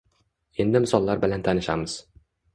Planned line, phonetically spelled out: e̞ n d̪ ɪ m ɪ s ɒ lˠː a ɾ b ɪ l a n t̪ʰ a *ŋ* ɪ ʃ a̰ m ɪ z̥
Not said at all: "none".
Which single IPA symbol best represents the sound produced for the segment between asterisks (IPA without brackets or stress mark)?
n